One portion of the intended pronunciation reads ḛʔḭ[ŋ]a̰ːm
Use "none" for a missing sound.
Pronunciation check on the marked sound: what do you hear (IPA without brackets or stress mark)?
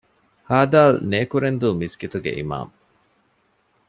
m